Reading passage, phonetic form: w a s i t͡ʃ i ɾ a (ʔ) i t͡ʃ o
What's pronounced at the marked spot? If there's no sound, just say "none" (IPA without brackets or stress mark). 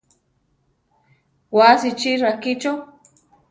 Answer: k